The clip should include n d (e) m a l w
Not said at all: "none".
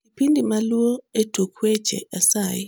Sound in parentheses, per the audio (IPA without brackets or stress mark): i